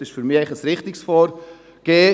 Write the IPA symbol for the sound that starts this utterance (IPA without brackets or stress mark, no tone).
ɪ